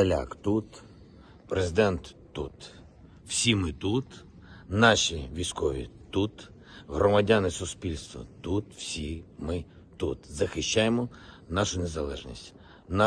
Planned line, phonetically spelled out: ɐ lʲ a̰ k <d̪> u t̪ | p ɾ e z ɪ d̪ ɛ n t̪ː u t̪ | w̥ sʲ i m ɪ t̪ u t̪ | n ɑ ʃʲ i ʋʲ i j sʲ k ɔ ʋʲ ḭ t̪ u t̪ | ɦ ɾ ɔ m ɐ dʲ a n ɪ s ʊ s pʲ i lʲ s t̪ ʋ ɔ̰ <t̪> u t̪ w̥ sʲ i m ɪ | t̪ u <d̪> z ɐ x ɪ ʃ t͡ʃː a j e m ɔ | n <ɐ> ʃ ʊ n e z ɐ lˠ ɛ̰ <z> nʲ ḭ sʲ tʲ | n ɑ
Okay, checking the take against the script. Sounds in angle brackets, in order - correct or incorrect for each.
incorrect: t̪, correct, incorrect: t̪, incorrect: ɑ, incorrect: ʒ

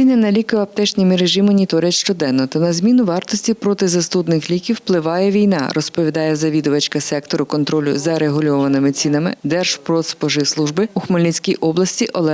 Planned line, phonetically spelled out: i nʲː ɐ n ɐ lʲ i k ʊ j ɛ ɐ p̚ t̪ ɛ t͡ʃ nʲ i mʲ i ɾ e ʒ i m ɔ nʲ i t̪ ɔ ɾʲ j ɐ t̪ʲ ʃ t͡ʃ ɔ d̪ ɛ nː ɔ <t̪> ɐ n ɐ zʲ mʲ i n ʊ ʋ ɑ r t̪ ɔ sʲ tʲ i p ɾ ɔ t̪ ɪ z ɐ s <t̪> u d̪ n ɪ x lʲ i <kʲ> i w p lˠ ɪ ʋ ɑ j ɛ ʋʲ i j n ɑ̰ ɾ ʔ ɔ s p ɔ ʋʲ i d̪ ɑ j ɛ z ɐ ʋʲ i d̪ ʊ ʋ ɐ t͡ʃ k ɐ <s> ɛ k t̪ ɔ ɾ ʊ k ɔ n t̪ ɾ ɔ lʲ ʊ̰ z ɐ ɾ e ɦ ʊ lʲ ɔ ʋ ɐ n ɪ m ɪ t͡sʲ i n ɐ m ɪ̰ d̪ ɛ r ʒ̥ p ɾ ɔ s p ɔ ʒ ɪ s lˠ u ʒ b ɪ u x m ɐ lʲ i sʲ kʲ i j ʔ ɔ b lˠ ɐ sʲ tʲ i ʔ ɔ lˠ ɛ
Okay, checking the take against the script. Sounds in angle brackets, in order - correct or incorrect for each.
correct, correct, correct, correct

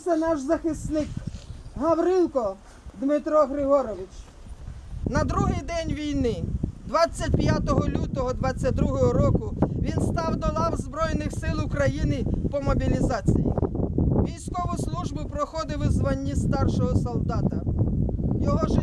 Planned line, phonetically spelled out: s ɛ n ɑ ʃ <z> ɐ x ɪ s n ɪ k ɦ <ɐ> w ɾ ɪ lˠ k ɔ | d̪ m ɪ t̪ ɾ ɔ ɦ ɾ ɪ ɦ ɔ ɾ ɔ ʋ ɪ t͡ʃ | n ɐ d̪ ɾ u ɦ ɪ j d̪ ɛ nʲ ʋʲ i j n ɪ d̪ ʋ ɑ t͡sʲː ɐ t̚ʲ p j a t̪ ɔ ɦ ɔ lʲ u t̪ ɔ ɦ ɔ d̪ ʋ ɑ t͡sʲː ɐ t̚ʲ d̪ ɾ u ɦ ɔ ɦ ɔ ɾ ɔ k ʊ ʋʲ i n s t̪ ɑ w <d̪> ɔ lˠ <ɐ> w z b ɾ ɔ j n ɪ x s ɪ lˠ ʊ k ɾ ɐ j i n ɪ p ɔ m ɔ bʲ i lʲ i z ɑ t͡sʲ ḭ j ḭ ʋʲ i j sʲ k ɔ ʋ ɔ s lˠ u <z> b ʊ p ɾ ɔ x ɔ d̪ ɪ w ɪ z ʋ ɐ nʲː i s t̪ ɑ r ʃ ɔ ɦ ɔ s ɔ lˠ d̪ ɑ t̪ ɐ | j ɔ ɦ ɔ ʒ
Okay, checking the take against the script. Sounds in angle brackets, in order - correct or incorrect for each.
correct, correct, correct, incorrect: ɑ, incorrect: ʒ

